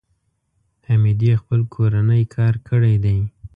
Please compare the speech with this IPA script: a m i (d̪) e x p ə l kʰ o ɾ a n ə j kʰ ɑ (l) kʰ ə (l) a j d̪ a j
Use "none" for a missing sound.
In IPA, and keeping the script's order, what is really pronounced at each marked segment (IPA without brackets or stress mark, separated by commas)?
d̪, ɾ, ɽ